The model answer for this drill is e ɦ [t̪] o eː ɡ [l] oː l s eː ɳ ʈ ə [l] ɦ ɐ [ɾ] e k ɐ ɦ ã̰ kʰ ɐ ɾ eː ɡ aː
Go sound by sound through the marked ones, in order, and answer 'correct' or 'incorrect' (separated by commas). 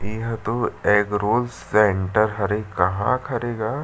correct, incorrect, incorrect, correct